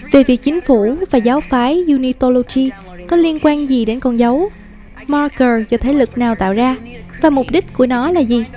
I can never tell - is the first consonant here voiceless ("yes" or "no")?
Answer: no